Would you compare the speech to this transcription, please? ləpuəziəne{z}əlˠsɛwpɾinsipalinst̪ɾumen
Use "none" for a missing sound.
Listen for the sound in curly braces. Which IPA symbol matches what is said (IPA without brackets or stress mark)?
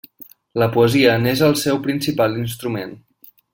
z